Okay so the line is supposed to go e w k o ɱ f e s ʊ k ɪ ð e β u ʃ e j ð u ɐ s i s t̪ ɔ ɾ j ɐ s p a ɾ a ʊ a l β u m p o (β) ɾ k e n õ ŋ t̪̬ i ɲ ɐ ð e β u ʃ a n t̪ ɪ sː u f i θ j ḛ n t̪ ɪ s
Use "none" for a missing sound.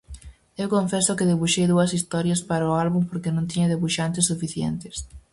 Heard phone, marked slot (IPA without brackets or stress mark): none